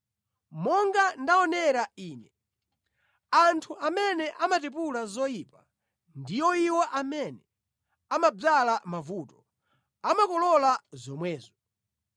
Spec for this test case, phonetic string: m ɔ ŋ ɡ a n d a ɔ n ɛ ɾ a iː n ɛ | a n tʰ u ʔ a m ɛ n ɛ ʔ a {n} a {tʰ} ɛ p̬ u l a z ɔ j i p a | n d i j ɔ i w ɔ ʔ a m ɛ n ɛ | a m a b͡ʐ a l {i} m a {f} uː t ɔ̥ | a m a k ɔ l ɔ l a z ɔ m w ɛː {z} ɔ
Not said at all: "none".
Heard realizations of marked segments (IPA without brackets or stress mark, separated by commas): m, t, a, v, z